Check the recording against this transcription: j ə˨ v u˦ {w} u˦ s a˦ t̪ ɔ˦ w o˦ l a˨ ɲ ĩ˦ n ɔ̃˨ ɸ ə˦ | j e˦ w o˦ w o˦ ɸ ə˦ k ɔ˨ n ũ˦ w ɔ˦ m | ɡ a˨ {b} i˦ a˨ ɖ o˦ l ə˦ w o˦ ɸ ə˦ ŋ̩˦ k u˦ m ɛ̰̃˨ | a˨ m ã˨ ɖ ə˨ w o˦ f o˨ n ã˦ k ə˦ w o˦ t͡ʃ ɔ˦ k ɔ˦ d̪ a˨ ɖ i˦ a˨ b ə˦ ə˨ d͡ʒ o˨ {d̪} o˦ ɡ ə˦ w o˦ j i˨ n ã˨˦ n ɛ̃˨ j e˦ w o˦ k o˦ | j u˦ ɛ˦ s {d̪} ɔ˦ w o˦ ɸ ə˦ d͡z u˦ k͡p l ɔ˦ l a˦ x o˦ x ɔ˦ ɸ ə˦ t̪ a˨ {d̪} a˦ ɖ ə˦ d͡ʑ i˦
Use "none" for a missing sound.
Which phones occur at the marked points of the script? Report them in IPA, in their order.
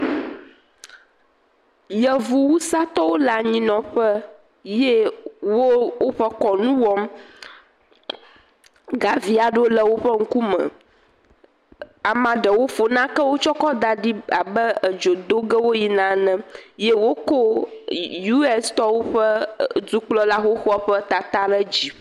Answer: w, v, d̪, t̪, t̪

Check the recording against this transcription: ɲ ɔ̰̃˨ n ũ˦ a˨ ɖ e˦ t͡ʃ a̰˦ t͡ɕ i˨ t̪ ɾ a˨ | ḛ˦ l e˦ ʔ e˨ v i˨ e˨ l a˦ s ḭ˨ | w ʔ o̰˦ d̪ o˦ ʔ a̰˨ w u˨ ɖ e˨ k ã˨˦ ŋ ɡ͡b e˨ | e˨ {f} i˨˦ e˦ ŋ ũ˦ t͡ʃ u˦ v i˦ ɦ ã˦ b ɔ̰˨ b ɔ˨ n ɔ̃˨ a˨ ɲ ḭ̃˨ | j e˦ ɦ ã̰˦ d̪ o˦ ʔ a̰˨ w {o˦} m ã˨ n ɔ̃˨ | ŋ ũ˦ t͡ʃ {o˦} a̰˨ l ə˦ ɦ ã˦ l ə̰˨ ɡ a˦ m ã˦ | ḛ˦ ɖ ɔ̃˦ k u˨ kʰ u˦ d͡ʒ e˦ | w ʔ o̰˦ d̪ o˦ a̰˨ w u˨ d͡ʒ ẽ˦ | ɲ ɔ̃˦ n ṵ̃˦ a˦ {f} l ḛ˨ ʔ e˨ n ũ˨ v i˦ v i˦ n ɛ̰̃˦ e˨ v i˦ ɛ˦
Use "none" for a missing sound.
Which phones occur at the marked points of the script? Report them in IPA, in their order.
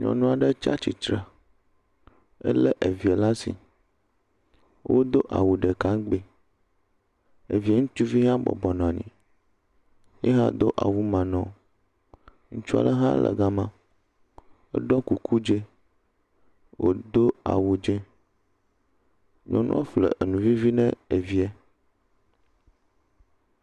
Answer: v, u˦, u˦, f

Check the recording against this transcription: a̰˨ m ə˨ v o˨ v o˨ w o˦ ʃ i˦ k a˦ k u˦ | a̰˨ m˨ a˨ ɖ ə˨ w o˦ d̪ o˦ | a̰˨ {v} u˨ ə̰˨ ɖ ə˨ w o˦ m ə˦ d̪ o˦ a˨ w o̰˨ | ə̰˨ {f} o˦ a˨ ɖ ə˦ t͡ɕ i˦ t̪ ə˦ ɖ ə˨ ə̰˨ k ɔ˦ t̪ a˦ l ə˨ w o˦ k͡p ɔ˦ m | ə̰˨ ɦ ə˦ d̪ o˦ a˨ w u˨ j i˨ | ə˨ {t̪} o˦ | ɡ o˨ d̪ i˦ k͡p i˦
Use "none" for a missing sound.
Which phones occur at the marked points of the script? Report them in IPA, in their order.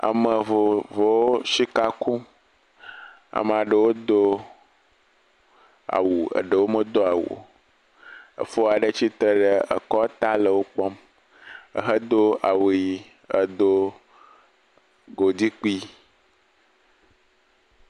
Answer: w, f, d̪

